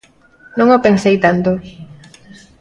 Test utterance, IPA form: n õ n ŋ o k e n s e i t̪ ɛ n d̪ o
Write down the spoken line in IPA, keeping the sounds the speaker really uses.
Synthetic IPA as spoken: n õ ŋ o p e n s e j t̪ a n t̪ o